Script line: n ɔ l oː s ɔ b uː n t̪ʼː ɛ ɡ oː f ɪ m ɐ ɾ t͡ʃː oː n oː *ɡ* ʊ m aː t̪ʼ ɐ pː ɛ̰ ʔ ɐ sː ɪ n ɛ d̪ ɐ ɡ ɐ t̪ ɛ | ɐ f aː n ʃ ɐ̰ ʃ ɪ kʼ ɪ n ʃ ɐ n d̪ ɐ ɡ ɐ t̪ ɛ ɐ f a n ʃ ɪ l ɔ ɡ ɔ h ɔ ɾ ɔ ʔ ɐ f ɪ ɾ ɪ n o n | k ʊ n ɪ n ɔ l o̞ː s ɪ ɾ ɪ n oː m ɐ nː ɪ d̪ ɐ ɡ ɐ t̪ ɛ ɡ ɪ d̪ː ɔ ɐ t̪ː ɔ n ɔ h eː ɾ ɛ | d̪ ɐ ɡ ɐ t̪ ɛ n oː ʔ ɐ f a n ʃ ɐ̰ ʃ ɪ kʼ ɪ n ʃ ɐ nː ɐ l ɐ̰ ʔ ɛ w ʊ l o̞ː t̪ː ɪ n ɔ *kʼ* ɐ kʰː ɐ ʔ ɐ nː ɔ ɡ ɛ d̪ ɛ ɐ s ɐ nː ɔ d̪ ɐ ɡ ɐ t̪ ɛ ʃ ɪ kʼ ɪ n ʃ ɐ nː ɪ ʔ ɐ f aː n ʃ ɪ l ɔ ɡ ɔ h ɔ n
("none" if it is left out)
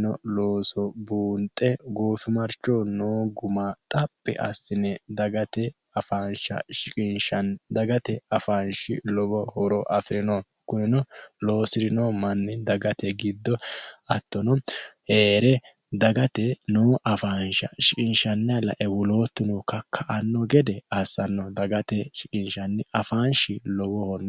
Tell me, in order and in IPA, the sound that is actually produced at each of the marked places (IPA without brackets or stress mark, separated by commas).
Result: ɡ, k